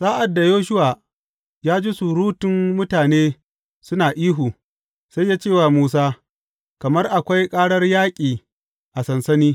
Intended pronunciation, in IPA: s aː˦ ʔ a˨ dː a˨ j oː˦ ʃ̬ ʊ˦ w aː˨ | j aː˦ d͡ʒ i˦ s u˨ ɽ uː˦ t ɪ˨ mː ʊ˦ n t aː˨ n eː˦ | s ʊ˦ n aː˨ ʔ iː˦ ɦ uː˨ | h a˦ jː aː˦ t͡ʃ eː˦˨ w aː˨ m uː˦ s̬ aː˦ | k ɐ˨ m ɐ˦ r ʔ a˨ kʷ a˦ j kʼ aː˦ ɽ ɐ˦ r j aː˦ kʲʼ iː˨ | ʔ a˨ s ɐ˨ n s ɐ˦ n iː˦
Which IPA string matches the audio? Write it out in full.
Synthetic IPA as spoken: s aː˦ ʔ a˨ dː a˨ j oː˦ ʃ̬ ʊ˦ w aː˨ | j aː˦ d͡ʒ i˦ s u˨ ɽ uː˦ t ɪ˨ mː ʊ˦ t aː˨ n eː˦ | s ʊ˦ n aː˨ ʔ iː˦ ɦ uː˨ | s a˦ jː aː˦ t͡ʃ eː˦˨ w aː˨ m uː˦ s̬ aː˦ | k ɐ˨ m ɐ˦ r ʔ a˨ kʷ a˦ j kʼ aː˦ ɽ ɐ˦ r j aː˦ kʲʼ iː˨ | ʔ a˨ s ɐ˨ n s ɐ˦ n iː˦